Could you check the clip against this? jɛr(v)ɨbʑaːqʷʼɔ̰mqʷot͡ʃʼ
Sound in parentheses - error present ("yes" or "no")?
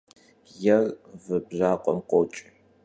no